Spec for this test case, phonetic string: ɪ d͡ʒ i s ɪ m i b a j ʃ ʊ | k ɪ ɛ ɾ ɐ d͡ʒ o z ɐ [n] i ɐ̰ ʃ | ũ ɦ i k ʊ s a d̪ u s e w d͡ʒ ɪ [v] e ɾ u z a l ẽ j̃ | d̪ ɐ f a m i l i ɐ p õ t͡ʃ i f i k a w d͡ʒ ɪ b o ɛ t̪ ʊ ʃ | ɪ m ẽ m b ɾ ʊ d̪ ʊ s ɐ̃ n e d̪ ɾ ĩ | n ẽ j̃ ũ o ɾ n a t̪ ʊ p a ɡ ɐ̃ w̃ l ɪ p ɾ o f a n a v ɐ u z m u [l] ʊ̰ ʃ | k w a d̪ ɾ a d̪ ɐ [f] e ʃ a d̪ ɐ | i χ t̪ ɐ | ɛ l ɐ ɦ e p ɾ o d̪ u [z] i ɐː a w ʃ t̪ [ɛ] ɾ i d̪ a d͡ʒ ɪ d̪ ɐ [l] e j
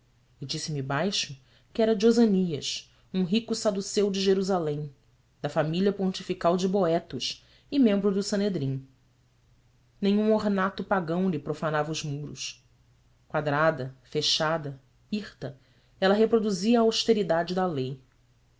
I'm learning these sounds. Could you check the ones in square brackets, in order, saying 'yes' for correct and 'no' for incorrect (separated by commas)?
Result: yes, no, no, yes, yes, no, yes